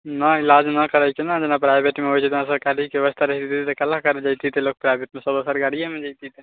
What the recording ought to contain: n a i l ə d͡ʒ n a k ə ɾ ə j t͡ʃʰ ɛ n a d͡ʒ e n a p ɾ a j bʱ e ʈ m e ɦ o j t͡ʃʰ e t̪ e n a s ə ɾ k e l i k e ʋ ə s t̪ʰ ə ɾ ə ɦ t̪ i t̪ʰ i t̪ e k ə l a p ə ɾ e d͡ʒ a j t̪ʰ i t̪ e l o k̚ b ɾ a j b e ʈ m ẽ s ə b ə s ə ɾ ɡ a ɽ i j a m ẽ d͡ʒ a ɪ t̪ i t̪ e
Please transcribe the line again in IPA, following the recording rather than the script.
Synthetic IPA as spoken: n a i l a d͡ʒ n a k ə ɾ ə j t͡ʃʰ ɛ n a d͡ʒ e n a p ɾ a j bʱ e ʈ m e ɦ o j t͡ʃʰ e t̪ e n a s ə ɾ k a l i k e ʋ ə s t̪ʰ a ɾ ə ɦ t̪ i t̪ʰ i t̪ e k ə l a k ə ɾ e d͡ʒ a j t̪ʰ i t̪ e l o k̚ p ɾ a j b e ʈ m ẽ s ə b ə s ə ɾ ɡ a ɽ i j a m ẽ d͡ʒ a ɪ t̪ i t̪ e